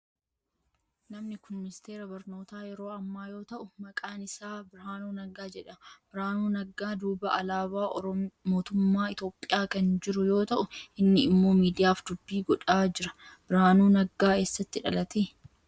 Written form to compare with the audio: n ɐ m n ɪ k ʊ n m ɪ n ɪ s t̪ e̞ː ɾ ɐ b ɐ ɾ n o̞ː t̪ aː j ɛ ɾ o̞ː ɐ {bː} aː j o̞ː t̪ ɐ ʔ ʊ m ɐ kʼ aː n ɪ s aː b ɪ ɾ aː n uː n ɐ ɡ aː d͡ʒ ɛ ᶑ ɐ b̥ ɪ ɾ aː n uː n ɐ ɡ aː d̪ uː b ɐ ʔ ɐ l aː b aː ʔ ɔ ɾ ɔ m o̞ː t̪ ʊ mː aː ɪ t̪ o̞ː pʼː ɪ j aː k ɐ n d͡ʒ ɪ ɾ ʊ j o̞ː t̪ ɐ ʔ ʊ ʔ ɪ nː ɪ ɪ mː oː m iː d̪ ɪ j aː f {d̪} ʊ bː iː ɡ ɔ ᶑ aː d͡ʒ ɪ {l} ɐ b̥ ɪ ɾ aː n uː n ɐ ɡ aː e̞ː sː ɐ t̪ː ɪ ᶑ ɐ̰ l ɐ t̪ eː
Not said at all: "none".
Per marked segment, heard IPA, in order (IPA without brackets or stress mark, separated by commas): mː, d̪, ɾ